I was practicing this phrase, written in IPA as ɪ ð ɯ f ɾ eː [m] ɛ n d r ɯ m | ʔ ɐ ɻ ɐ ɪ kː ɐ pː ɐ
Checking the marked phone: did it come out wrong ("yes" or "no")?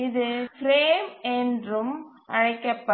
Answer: no